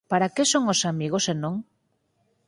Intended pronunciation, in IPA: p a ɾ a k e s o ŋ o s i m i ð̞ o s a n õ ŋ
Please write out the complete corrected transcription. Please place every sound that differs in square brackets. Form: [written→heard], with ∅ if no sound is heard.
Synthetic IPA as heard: p a ɾ a k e s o ŋ o s [i→a] m i [ð̞→ɣ̞] o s [a→e] n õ ŋ